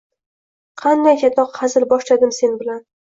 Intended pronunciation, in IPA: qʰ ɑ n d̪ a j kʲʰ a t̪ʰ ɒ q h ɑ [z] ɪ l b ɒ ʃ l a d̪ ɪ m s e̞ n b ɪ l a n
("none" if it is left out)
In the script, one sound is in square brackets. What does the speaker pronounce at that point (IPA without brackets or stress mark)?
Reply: z